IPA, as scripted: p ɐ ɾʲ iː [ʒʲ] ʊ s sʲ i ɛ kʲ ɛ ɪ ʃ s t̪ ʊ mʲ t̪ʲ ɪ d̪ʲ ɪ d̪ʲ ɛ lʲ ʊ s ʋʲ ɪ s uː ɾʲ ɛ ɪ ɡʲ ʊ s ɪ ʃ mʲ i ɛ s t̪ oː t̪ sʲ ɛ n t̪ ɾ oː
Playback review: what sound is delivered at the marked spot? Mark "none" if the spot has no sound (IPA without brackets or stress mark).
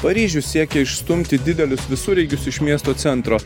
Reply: ʒʲ